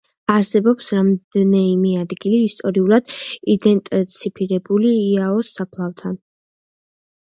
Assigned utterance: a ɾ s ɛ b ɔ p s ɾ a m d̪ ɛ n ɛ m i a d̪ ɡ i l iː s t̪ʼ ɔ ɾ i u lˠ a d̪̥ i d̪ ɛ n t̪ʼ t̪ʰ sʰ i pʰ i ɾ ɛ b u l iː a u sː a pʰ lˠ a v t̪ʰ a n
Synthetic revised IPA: a ɾ s ɛ b ɔ p s ɾ a m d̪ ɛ n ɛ m i a d̪ ɡ i l iː s t̪ʼ ɔ ɾ i u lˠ a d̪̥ i d̪ ɛ n t̪ʼ t̪ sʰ i pʰ i ɾ ɛ b u l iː a ɔ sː a pʰ lˠ a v t̪ʰ a n